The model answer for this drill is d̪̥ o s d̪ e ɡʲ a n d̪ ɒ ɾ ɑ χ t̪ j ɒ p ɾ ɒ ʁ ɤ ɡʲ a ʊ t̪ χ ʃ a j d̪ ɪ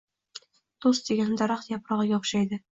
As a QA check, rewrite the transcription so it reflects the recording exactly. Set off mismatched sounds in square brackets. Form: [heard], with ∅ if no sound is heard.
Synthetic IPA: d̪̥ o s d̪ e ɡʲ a n d̪ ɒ ɾ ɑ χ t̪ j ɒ p ɾ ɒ ʁ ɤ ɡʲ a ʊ [∅] χ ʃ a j d̪ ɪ